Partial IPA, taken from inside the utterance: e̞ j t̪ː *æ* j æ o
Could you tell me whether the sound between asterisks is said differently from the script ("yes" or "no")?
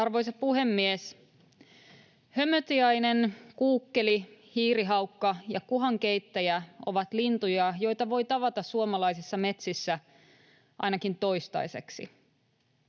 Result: no